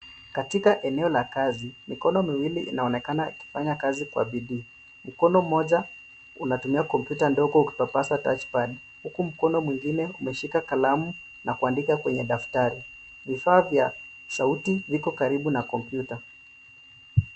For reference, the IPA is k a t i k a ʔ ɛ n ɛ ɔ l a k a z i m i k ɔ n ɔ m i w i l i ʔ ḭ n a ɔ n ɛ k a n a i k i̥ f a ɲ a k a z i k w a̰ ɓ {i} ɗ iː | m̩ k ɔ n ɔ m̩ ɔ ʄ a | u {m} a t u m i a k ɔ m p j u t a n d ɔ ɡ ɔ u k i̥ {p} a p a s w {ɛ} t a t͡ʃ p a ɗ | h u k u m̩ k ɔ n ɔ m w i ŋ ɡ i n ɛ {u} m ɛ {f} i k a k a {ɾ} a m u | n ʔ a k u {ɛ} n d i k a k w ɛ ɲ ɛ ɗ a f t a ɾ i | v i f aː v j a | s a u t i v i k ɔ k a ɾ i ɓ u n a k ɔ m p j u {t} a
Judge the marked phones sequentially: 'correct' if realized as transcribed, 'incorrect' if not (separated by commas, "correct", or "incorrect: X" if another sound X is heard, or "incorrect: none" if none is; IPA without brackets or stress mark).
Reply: correct, incorrect: n, correct, incorrect: a, correct, incorrect: ʃ, incorrect: l, incorrect: a, correct